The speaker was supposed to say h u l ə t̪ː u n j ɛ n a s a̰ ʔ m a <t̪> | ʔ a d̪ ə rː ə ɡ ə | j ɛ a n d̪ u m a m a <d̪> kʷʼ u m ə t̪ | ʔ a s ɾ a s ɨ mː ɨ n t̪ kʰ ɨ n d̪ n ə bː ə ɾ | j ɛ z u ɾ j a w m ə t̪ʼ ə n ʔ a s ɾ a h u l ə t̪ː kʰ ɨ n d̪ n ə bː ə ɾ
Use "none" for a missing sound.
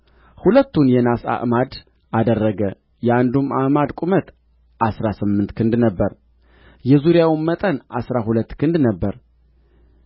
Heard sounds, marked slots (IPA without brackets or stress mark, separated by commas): d̪, d̪